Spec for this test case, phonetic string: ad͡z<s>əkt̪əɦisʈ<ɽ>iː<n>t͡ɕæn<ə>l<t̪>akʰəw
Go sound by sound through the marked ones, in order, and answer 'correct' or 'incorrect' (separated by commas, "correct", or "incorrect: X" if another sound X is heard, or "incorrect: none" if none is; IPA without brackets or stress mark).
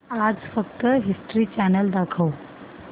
incorrect: f, incorrect: ɾ, incorrect: none, correct, incorrect: d̪